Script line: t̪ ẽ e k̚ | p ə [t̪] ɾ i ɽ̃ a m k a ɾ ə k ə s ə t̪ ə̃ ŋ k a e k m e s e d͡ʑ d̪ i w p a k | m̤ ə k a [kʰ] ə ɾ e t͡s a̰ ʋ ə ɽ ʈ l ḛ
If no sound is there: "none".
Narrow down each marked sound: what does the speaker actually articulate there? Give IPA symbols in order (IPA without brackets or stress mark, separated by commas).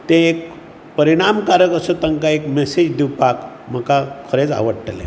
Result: none, kʰ